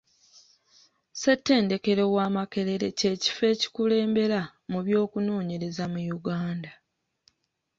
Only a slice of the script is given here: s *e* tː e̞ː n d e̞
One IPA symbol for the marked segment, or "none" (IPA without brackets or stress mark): e